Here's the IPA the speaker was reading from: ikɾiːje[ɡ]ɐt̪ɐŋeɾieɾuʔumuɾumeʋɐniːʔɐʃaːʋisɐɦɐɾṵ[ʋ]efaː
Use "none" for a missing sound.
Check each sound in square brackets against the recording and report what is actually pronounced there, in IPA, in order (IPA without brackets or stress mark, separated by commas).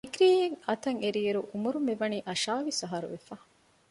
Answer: ŋ, ʋ